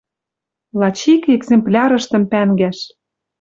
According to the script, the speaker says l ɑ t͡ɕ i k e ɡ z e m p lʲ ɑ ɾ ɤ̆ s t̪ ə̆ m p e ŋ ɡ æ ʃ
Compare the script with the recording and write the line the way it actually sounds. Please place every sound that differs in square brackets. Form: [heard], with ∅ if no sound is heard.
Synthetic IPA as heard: l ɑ t͡ɕ i k e ɡ z e m p lʲ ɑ ɾ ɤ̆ [ʃ] t̪ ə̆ m p [æ] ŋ ɡ æ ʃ